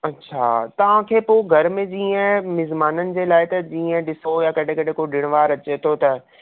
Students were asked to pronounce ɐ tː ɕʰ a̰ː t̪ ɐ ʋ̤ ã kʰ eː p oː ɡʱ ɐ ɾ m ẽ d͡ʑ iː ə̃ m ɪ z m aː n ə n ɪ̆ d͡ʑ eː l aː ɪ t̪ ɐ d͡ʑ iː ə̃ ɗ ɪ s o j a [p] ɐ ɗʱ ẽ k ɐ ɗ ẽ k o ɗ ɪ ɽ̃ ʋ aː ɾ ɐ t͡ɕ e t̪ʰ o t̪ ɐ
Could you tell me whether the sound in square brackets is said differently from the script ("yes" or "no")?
yes